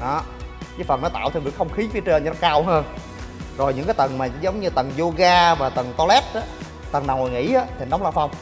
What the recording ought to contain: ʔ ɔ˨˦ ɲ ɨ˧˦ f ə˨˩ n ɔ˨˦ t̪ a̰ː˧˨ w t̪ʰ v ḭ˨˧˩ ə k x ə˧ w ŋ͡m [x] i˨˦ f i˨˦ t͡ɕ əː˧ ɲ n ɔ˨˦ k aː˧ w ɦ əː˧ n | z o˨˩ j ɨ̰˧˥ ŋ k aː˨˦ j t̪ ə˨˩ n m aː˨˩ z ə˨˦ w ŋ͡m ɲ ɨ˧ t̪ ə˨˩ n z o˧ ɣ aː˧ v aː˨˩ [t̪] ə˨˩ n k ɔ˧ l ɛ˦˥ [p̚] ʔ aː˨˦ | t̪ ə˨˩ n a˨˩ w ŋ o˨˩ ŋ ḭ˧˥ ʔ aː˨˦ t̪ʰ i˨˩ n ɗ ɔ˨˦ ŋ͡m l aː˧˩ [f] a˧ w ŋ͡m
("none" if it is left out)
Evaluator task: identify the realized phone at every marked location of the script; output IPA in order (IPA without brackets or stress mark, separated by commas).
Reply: x, t̪, t̚, f